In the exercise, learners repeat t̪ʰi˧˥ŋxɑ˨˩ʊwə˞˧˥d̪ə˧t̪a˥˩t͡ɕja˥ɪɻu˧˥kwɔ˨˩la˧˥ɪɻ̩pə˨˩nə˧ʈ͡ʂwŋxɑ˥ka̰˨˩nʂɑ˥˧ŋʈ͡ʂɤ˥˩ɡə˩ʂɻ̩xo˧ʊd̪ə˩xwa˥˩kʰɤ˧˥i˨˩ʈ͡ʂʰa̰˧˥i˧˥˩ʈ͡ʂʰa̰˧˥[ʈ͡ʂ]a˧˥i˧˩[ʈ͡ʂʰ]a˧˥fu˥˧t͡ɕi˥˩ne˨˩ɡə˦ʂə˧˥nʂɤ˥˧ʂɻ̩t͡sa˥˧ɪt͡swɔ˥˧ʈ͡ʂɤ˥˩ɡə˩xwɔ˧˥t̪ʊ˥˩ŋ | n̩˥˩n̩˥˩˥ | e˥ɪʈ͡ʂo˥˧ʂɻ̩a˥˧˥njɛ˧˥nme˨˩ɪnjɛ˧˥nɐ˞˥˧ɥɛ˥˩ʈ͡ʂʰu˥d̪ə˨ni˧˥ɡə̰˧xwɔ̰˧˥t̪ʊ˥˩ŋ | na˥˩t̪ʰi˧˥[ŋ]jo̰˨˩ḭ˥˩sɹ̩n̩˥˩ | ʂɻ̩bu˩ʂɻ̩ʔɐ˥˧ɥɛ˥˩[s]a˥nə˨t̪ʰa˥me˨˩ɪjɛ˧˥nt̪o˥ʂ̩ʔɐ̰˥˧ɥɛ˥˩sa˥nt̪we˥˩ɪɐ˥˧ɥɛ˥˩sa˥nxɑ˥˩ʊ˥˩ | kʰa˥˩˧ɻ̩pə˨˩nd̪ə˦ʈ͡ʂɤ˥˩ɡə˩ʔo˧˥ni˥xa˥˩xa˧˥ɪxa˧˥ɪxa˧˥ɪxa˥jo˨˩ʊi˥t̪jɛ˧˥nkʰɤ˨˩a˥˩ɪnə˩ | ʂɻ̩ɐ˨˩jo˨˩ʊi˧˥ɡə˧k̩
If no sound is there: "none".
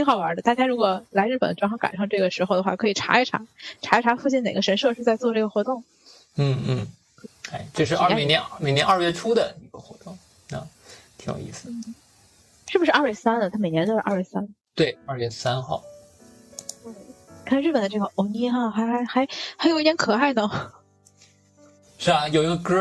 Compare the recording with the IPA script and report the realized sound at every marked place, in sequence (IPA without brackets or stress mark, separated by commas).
ʈ͡ʂʰ, ʈ͡ʂʰ, ŋ, s